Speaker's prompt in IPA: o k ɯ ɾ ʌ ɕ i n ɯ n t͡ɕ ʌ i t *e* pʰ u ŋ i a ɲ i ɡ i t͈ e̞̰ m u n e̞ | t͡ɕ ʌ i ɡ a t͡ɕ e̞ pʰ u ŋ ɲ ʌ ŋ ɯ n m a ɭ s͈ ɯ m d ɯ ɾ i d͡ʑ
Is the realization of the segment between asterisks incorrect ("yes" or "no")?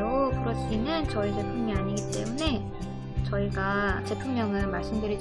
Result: no